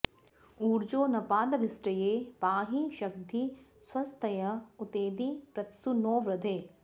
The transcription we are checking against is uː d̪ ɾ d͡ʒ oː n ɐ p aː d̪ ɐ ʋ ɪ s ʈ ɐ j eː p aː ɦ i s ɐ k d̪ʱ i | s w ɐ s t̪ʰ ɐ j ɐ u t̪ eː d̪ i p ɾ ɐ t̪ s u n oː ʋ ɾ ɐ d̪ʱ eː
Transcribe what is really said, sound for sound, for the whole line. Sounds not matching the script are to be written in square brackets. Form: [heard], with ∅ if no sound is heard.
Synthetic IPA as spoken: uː [∅] ɾ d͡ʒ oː n ɐ p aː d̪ ɐ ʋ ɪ s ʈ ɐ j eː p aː ɦ i [ʃ] ɐ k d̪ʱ i | s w ɐ s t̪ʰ ɐ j ɐ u t̪ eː d̪ i p ɾ ɐ t̪ s u n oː ʋ ɾ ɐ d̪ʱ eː